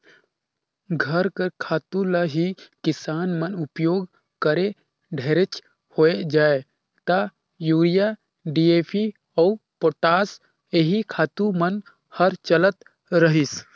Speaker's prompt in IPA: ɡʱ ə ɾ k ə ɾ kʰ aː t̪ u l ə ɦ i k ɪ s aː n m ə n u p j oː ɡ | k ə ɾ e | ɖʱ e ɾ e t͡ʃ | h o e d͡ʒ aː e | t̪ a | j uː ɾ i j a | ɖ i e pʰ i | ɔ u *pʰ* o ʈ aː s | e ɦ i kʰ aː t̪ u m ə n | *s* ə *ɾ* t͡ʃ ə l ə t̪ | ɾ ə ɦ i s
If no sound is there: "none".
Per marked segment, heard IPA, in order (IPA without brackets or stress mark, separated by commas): p, h, ɾ